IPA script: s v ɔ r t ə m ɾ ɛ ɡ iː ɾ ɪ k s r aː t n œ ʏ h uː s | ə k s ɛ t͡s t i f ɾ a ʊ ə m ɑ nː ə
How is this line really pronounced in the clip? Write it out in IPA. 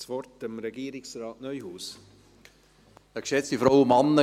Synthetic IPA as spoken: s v ɔ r t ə m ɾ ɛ ɡ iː ɾ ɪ k s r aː t n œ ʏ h uː s | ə k ʃ ɛ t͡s t i f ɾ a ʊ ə m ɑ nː ə